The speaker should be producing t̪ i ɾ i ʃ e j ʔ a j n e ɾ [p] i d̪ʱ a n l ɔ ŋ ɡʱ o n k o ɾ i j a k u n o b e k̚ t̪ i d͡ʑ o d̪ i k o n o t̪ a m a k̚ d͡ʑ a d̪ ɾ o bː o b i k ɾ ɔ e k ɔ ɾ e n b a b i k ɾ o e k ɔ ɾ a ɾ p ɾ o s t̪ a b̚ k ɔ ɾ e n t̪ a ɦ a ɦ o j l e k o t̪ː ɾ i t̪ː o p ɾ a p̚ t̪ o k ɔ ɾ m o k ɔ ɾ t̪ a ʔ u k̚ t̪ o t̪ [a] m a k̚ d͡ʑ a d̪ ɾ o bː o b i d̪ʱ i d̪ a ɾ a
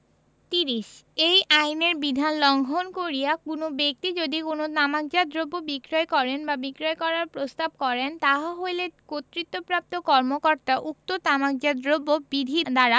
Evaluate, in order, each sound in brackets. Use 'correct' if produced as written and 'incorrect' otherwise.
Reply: incorrect, correct

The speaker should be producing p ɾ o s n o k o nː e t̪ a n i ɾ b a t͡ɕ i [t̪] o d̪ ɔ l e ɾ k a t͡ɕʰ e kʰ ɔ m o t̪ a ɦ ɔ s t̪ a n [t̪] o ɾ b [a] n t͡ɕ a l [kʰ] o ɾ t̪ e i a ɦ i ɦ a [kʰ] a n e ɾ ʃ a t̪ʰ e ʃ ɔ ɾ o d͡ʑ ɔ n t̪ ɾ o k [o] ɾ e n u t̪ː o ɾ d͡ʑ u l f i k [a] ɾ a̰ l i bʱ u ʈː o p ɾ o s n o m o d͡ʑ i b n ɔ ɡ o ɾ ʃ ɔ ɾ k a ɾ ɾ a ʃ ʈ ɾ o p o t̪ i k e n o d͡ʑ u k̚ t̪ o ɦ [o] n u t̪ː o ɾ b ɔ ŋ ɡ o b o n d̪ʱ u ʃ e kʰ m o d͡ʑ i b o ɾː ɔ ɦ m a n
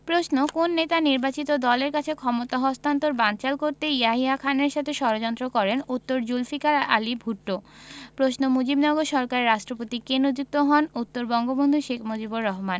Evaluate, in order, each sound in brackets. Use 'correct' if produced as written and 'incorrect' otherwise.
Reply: correct, correct, correct, incorrect, correct, incorrect, correct, incorrect

